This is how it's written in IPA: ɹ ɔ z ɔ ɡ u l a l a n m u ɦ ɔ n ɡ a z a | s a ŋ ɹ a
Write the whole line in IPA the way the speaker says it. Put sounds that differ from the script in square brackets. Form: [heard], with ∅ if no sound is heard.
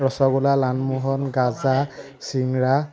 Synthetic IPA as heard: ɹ ɔ [s] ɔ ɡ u l a l a n m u ɦ ɔ n ɡ a z a | s [i] ŋ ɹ a